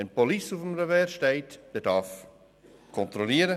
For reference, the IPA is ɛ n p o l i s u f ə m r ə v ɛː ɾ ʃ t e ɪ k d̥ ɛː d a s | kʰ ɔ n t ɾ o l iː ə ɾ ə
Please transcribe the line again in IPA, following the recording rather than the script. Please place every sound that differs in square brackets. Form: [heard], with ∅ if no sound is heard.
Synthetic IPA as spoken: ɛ n p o l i s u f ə m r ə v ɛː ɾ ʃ t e ɪ [t] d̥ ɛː d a [f] | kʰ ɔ n t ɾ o l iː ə ɾ ə